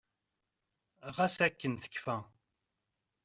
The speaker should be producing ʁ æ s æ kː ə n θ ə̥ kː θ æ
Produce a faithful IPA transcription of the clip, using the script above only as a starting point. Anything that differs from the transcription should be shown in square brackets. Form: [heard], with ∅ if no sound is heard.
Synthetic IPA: ʁ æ s æ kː ə n θ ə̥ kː [f] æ